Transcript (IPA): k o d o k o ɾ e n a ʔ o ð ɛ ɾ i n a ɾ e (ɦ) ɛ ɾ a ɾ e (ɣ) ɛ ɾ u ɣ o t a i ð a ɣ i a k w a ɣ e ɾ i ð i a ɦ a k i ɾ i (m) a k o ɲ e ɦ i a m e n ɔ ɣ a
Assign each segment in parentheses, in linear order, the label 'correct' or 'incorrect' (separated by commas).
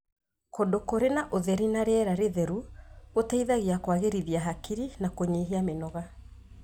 incorrect, incorrect, incorrect